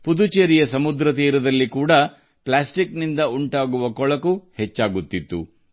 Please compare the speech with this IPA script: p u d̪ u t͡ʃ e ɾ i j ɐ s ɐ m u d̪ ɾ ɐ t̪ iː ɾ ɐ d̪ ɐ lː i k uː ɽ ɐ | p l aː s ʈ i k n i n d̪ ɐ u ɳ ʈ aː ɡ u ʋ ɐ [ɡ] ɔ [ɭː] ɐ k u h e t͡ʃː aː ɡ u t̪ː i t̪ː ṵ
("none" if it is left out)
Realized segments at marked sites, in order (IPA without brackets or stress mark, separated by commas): k, ɭ